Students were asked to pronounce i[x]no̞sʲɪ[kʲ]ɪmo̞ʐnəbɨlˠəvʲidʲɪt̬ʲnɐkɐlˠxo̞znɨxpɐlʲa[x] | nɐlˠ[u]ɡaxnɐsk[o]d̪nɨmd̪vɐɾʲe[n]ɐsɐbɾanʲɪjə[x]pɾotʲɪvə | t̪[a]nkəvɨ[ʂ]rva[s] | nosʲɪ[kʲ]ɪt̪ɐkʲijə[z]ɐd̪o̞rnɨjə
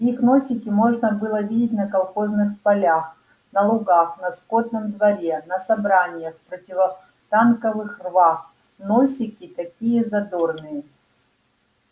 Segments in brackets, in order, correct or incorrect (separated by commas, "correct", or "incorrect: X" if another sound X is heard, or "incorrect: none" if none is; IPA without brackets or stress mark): correct, correct, correct, incorrect: ʊ, correct, correct, correct, correct, incorrect: x, incorrect: x, correct, correct